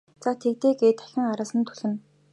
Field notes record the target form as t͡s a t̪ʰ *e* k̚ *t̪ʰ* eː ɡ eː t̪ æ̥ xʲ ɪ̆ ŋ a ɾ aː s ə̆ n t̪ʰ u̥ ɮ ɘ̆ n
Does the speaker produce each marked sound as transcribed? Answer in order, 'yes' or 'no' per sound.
yes, no

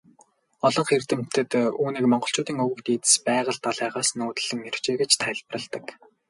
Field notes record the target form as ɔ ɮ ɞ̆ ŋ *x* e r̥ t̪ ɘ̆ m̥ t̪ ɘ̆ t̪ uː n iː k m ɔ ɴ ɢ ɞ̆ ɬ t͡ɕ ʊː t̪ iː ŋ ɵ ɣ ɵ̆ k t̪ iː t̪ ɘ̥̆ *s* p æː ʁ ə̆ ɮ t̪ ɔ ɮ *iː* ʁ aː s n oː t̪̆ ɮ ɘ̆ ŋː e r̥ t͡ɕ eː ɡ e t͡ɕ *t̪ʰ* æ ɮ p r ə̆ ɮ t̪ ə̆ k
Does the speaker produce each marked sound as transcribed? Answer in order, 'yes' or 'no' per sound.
no, yes, no, yes

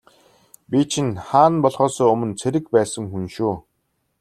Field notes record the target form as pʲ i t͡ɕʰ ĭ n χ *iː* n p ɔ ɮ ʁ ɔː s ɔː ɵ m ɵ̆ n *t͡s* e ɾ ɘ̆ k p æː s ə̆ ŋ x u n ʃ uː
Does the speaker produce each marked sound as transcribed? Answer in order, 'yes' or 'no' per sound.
no, no

